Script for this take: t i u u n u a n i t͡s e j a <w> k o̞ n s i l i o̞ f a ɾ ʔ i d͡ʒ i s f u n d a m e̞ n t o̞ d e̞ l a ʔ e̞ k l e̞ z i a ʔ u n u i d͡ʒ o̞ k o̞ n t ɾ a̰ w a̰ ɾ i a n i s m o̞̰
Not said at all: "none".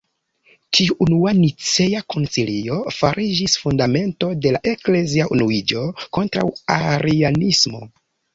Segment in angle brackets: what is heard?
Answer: none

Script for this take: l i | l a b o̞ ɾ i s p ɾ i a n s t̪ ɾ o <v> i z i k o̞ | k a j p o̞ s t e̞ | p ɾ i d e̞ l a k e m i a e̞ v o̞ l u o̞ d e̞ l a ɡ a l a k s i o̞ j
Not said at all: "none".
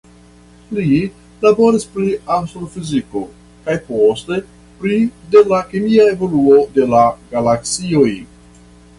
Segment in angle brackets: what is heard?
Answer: f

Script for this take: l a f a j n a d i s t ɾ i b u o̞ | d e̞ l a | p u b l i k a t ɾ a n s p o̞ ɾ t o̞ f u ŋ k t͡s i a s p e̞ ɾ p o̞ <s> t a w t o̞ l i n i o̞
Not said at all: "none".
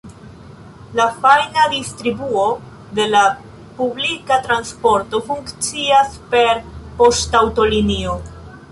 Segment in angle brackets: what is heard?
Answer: s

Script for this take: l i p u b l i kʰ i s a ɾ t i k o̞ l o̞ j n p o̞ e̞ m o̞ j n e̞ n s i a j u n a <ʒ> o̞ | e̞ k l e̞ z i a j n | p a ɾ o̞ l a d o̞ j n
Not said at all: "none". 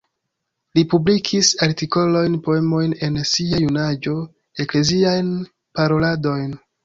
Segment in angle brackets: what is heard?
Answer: d͡ʒ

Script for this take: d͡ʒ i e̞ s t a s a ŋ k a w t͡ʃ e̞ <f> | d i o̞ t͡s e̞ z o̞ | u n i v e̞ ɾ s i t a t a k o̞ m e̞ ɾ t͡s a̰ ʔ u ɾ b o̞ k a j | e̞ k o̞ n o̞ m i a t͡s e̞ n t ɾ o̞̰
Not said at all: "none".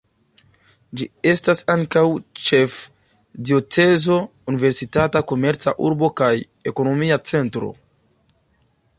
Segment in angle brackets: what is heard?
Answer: f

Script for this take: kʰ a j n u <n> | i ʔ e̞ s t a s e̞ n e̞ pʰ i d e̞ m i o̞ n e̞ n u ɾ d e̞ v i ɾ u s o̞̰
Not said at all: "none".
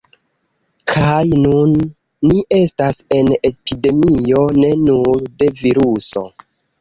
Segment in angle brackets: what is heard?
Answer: nː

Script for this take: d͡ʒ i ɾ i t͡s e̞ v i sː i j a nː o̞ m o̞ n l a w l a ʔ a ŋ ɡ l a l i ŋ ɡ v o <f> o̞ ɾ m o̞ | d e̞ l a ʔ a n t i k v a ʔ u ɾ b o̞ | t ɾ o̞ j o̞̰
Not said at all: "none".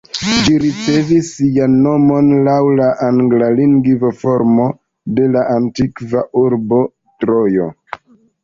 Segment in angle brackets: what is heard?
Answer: f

